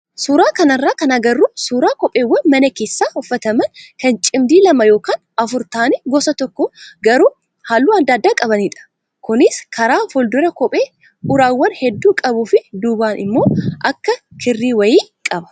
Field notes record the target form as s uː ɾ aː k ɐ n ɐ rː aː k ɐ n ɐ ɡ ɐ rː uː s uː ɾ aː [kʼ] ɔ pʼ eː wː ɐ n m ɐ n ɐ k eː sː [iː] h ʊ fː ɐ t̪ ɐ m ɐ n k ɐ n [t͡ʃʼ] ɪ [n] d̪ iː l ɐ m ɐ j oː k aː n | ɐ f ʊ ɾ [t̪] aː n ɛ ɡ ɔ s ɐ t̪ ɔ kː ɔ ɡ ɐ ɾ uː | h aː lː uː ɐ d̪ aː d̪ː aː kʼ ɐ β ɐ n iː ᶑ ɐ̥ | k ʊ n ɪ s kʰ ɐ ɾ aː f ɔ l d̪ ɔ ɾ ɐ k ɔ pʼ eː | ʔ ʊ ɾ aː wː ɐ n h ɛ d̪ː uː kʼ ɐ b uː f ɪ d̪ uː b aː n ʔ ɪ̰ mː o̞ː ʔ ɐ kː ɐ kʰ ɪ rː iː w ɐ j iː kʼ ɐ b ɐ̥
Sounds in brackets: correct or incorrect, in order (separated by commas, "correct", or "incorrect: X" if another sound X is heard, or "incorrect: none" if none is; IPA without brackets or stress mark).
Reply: incorrect: k, incorrect: aː, correct, incorrect: m, correct